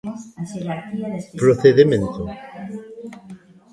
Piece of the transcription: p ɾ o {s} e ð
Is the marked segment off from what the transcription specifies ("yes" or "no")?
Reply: yes